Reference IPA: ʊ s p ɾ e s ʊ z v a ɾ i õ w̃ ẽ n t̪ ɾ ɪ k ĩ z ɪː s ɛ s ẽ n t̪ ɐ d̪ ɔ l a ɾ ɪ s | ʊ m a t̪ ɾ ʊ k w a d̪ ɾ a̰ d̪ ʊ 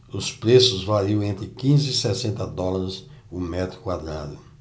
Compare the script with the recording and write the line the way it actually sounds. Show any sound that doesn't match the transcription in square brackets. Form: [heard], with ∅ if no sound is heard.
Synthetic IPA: ʊ s p ɾ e s ʊ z v a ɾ i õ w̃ ẽ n t̪ ɾ ɪ k ĩ z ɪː s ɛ s ẽ n t̪ ɐ d̪ ɔ l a ɾ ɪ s | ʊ m [ɛ] t̪ ɾ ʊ k w a d̪ ɾ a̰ d̪ ʊ